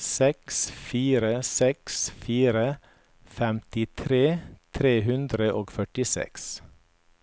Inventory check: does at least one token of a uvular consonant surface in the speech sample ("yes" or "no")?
no